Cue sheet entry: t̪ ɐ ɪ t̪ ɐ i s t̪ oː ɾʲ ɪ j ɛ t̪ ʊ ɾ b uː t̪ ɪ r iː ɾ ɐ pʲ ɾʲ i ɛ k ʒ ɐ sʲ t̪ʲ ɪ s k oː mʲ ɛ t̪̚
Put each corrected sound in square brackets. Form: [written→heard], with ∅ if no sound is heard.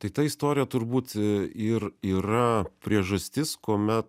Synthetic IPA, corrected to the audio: t̪ ɐ ɪ t̪ ɐ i s t̪ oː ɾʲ ɪ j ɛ t̪ ʊ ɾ b uː t̪ ɪ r iː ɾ ɐ pʲ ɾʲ i ɛ [k→∅] ʒ ɐ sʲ t̪ʲ ɪ s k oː mʲ ɛ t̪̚